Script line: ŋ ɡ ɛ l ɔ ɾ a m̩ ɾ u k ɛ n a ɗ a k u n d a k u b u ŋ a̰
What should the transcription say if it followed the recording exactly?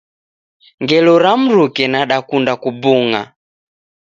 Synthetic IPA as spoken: ŋ ɡ ɛ l ɔ ɾ a m̩ ɾ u k ɛ n a ɗ a k u n d a k u b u ŋ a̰